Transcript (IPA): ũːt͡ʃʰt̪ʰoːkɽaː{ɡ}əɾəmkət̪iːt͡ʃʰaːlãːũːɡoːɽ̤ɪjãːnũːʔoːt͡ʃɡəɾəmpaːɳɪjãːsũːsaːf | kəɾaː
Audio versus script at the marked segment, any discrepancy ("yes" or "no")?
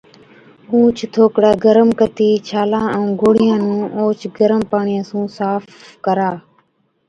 no